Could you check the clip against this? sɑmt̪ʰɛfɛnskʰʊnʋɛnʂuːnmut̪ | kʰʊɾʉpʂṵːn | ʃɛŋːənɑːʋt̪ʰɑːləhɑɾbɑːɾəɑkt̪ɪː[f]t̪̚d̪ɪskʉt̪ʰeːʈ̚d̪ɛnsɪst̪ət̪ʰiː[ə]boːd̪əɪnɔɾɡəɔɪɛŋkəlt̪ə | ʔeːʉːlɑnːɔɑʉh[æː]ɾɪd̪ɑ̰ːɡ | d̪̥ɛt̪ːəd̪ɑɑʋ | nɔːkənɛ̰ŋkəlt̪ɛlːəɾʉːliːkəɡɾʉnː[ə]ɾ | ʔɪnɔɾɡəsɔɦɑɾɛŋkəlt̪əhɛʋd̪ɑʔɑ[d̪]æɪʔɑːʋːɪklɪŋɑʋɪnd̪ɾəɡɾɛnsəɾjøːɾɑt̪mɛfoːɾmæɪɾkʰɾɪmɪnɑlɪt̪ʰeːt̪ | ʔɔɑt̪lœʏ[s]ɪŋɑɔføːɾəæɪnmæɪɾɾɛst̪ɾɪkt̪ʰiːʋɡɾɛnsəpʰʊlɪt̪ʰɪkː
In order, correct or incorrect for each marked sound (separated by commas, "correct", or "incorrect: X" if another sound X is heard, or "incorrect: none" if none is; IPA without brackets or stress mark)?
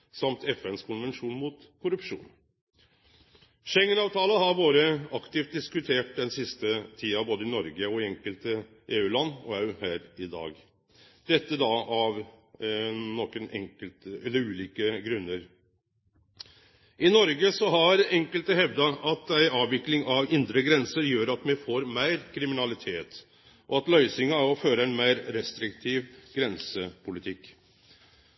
correct, incorrect: ɑ, correct, correct, incorrect: t̪, correct